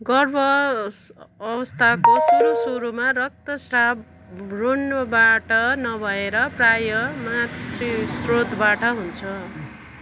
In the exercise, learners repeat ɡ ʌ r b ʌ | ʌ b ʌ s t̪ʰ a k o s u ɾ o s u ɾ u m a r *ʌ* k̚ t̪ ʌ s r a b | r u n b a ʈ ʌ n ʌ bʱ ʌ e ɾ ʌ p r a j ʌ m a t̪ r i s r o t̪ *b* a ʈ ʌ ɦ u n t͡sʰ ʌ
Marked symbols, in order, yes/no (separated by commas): yes, yes